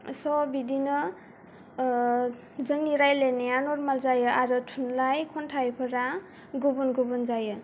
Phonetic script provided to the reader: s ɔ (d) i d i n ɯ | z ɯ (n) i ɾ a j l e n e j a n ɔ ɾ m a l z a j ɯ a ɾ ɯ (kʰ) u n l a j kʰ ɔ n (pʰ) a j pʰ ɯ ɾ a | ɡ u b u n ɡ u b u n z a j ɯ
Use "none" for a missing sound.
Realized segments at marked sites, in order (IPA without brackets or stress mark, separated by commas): b, ŋ, tʰ, tʰ